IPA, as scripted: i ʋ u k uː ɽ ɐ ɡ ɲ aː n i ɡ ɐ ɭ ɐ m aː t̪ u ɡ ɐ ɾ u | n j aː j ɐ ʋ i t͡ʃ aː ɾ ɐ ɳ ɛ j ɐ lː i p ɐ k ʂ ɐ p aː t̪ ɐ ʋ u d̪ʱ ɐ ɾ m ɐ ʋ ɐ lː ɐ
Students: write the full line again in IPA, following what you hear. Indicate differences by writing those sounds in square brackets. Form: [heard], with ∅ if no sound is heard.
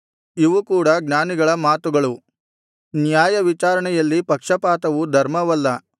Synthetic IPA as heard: i ʋ u k uː ɽ ɐ ɡ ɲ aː n i ɡ ɐ ɭ ɐ m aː t̪ u ɡ ɐ [ɭ] u | n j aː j ɐ ʋ i t͡ʃ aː ɾ ɐ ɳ ɛ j ɐ lː i p ɐ k ʂ ɐ p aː t̪ ɐ ʋ u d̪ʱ ɐ ɾ m ɐ ʋ ɐ lː ɐ